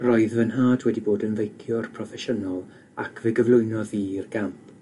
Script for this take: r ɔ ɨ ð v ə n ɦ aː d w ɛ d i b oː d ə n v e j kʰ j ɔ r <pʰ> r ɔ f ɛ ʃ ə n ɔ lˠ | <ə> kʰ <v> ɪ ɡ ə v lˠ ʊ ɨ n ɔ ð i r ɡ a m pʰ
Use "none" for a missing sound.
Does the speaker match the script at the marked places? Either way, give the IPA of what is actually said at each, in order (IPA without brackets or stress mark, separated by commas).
pʰ, a, v